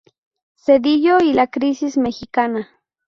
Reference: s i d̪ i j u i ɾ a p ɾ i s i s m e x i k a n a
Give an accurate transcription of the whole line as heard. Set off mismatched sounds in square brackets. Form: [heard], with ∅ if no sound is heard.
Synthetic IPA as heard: s [e] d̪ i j [o] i [l] a [k] ɾ i s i s m e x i k a n a